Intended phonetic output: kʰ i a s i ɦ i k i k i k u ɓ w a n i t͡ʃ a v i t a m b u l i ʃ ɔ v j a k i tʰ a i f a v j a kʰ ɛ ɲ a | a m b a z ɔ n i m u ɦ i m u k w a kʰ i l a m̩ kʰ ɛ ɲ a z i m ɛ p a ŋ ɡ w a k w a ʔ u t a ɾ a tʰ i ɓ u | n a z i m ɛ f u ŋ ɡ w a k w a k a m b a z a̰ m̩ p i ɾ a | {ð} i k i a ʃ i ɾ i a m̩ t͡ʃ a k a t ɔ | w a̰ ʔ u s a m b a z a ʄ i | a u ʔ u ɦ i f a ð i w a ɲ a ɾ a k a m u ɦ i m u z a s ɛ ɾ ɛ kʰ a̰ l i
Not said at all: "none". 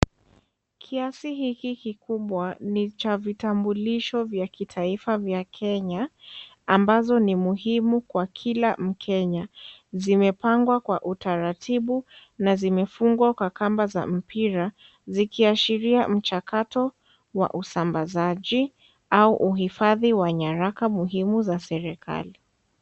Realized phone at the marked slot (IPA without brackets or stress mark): z